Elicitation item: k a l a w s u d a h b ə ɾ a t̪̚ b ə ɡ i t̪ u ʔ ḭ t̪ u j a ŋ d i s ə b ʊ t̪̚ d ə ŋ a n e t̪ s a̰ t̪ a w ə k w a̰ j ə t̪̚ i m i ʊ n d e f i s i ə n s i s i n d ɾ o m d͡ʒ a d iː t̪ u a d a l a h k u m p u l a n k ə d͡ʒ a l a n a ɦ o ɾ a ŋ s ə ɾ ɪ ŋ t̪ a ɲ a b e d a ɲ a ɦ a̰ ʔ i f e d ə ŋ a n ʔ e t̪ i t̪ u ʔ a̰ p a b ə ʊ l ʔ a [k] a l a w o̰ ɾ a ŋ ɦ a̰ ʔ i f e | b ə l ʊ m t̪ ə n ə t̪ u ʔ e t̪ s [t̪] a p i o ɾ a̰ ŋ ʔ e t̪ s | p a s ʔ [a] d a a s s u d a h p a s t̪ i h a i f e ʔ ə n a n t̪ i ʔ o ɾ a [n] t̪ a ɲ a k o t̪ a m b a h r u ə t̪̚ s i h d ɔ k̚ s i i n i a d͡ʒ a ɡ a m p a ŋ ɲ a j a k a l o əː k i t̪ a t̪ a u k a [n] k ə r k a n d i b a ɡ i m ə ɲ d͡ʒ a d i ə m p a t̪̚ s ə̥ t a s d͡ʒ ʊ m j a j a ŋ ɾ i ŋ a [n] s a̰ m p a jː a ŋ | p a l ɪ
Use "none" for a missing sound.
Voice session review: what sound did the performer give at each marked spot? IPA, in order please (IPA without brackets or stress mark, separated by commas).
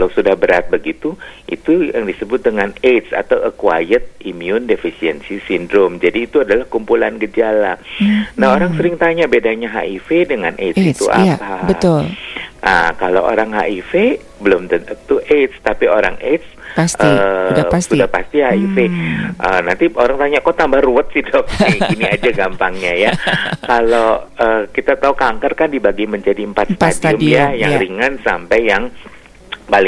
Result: k, t̪, ə, ŋ, ŋ, n